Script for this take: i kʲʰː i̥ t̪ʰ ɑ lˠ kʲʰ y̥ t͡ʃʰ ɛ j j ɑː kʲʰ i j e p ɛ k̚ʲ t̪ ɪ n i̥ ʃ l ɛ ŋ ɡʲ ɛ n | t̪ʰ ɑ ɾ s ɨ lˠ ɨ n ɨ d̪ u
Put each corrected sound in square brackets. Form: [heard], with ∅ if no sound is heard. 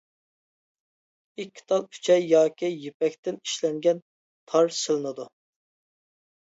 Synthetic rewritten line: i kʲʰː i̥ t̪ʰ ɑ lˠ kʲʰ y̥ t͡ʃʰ ɛ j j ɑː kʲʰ i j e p ɛ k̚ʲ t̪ ɪ n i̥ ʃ l ɛ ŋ ɡʲ ɛ n | t̪ʰ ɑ ɾ s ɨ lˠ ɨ n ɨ d̪ u